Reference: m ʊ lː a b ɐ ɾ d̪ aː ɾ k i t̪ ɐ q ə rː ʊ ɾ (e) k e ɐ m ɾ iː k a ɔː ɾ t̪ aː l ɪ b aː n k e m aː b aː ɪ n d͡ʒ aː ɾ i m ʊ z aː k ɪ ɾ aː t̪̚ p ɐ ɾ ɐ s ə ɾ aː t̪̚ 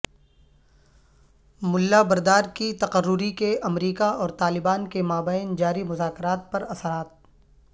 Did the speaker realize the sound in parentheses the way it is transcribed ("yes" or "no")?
no